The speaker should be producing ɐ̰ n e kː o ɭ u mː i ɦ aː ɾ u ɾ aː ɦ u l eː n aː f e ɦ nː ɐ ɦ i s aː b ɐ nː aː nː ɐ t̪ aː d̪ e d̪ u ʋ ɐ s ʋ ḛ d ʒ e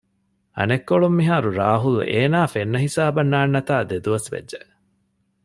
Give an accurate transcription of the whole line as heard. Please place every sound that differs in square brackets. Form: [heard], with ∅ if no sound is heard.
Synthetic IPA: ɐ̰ n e kː o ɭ u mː i ɦ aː ɾ u ɾ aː ɦ u l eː n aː f e [∅] nː ɐ ɦ i s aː b ɐ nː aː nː ɐ t̪ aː d̪ e d̪ u ʋ ɐ s ʋ ḛ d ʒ e